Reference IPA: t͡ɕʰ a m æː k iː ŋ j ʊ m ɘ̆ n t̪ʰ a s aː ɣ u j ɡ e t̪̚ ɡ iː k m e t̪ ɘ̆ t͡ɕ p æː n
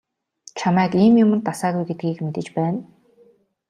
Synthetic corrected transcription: t͡ɕʰ a m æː k iː m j ʊ m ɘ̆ n t̪ a s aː ɣ u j ɡ e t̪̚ ɡ iː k m e t̪ ɘ̆ t͡ɕ p æː n